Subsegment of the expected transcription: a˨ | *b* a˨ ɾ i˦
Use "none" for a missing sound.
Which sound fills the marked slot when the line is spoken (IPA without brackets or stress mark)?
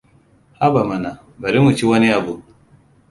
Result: b